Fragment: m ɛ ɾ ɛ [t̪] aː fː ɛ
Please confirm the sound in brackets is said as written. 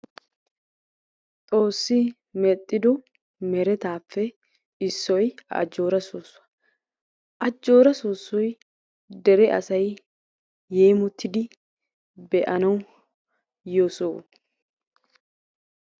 yes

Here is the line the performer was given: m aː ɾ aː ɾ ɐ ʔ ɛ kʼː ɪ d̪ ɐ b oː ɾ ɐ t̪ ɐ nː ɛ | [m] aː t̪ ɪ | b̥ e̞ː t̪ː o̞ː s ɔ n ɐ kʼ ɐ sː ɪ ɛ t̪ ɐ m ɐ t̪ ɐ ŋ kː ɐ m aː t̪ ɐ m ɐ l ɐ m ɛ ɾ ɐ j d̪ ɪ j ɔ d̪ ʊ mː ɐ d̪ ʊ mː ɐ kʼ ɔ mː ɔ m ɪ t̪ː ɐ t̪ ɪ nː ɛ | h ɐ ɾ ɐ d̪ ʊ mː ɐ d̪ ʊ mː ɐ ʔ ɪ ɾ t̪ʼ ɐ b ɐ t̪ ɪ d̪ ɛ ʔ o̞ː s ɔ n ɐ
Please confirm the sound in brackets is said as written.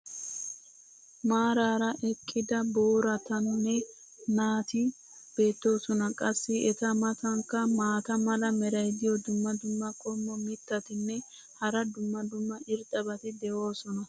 no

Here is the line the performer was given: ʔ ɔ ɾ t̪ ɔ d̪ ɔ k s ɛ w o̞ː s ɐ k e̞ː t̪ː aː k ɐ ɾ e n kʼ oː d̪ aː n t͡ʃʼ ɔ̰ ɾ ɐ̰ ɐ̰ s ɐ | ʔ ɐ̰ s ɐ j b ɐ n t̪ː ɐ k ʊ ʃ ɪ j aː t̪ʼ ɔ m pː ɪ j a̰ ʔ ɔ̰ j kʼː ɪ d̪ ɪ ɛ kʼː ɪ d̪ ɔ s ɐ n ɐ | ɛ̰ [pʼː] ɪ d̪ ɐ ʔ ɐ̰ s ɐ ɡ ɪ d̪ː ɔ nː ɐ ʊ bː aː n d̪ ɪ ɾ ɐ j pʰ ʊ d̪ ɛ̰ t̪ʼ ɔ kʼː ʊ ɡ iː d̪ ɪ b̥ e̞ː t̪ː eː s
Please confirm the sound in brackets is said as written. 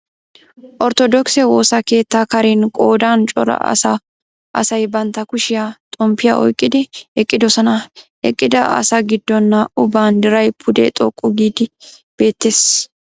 no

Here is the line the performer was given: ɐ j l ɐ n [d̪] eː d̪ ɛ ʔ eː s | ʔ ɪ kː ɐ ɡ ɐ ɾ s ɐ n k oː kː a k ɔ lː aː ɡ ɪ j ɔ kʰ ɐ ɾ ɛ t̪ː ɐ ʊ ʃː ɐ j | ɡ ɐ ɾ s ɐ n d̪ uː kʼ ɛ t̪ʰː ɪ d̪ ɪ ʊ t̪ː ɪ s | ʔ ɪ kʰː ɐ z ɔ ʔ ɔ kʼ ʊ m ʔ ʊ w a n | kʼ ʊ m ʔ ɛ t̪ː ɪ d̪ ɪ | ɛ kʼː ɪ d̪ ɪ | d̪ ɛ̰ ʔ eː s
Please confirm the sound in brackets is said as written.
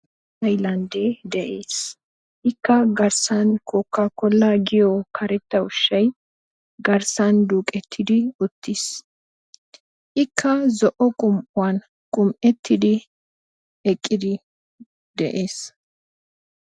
yes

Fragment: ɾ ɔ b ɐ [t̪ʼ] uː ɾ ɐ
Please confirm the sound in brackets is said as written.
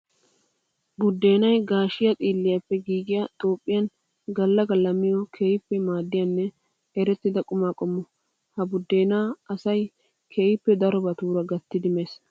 no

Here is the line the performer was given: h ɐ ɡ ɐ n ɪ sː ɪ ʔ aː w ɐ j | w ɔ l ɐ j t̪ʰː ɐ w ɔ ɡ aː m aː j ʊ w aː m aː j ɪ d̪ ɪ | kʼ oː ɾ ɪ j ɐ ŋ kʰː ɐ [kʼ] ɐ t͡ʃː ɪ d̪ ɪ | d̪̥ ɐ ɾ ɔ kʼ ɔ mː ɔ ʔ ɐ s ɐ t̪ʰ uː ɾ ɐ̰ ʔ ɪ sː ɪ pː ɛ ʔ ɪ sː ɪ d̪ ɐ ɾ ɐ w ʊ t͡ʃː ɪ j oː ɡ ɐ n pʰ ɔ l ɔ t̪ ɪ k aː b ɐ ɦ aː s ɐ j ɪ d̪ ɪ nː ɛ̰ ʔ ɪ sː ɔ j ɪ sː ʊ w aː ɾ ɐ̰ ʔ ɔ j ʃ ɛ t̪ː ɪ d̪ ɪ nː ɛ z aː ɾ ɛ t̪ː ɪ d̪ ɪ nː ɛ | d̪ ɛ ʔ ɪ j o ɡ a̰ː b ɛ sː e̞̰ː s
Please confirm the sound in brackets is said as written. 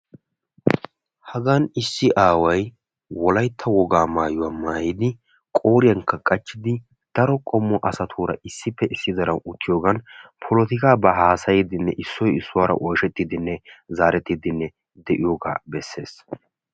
yes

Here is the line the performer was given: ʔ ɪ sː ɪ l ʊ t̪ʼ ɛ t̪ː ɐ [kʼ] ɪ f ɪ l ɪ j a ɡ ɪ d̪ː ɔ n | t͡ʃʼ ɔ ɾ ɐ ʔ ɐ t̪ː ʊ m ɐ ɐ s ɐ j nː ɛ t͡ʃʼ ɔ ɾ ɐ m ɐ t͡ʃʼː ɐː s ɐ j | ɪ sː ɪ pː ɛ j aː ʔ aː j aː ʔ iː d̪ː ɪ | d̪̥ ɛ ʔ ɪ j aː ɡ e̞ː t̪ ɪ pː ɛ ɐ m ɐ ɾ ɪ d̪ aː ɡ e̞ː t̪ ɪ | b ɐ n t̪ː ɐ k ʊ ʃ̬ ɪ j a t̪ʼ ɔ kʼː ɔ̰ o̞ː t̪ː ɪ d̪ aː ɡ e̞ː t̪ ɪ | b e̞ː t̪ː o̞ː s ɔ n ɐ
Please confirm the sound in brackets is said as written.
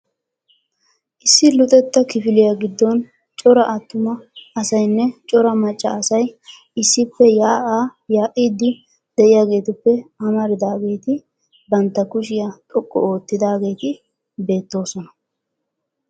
no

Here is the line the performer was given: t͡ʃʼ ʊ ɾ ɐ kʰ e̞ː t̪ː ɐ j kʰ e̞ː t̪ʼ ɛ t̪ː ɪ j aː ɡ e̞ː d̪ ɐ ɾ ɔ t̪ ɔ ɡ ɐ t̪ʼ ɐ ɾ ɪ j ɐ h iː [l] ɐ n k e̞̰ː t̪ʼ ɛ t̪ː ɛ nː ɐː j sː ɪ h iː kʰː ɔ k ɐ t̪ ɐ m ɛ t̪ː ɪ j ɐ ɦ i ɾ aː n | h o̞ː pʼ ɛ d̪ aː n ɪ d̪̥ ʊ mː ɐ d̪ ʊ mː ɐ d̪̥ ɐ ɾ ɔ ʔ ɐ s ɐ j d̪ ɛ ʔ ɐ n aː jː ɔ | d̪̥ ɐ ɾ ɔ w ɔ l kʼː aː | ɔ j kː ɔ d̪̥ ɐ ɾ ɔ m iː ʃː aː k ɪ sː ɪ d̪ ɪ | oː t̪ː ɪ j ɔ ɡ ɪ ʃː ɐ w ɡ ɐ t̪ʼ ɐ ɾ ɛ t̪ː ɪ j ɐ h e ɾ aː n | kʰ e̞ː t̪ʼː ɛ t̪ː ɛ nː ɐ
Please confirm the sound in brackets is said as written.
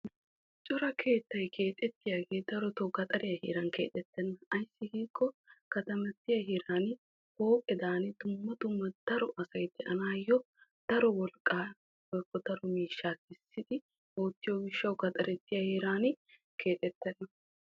no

